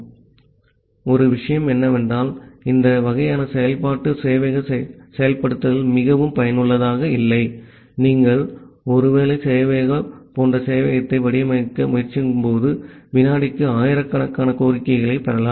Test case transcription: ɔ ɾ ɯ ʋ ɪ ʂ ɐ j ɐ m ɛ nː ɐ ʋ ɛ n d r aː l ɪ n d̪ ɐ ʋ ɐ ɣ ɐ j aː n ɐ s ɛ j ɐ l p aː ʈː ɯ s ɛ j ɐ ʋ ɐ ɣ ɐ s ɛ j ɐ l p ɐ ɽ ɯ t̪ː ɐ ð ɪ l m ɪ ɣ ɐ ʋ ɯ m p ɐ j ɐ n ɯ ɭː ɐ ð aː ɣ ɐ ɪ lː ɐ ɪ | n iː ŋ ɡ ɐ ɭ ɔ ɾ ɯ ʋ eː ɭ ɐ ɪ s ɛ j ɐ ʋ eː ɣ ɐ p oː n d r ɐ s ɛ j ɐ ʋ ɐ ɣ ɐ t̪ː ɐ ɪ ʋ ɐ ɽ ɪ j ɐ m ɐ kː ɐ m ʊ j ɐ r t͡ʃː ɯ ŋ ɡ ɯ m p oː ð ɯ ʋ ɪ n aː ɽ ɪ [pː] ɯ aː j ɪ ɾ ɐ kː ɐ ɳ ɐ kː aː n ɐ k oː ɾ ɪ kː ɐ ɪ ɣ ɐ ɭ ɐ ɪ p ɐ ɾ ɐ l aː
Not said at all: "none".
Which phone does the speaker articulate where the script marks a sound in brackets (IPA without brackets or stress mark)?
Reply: kː